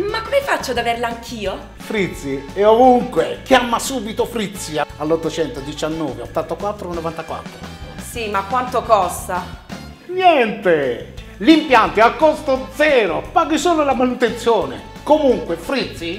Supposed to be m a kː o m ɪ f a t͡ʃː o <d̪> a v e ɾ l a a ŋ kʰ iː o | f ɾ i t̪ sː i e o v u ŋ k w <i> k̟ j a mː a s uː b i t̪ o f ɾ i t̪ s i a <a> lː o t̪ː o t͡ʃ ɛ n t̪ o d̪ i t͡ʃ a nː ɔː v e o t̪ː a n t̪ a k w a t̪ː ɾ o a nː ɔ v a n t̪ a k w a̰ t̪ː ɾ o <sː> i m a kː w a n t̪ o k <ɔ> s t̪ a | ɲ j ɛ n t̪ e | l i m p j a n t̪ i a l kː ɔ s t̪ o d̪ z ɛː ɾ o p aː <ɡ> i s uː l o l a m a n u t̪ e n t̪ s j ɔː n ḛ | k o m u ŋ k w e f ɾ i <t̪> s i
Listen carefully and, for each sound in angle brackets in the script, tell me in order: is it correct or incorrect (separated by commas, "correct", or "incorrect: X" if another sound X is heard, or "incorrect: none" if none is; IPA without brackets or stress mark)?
correct, incorrect: e, correct, incorrect: s, correct, correct, correct